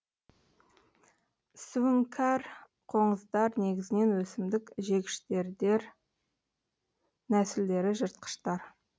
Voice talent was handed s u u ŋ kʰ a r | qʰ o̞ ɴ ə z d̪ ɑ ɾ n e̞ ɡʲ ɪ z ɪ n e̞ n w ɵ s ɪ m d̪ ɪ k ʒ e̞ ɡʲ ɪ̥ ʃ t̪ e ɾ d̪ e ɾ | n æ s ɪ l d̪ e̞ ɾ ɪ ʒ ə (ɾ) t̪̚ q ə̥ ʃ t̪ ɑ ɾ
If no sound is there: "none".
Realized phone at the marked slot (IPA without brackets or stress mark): ɾ